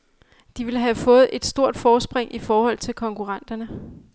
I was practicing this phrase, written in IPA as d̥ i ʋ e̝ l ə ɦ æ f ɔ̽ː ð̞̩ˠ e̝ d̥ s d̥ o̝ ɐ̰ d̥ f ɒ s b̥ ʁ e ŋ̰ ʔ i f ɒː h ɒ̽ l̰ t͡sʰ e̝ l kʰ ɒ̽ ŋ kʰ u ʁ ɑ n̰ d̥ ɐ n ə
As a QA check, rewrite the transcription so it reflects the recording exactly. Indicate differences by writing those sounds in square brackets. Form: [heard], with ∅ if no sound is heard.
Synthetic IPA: d̥ i ʋ e̝ l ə ɦ æ f ɔ̽ː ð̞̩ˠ e̝ d̥ s d̥ o̝ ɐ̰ d̥ f [ɒː] s b̥ ʁ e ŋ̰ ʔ i f ɒː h ɒ̽ l̰ t͡sʰ e̝ l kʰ ɒ̽ ŋ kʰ u ʁ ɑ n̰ d̥ ɐ n ə